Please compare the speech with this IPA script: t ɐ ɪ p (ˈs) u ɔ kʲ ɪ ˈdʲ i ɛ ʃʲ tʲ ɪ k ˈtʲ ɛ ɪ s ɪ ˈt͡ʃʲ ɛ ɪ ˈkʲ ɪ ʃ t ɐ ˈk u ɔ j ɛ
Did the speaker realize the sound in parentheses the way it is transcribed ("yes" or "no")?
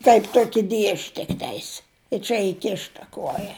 no